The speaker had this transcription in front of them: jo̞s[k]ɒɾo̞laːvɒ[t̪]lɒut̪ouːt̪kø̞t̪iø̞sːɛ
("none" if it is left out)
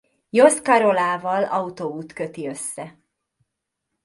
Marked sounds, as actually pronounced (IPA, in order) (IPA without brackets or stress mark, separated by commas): k, none